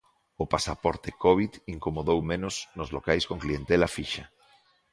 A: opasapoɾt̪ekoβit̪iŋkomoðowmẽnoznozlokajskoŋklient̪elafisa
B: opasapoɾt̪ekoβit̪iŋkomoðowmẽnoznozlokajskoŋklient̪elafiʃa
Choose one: B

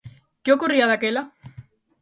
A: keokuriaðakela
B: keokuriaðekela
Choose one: A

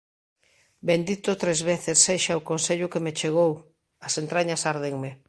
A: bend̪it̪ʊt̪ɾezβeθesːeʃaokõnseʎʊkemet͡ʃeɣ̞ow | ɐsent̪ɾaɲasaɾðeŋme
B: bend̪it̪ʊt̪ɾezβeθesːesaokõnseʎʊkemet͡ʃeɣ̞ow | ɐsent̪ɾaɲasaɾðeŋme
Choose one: A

